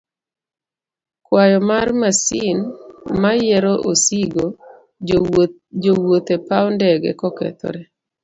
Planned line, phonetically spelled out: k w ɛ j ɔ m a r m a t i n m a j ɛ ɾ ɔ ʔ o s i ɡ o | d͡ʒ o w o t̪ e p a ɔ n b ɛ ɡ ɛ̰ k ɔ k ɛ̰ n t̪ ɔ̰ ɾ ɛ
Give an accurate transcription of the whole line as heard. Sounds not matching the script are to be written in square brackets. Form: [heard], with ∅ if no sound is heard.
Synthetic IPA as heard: k w [a] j ɔ m a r m a [s] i n m a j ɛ ɾ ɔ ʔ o s i ɡ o | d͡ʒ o w o t̪ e p a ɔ n [d] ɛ ɡ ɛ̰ k ɔ k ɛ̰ [∅] t̪ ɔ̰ ɾ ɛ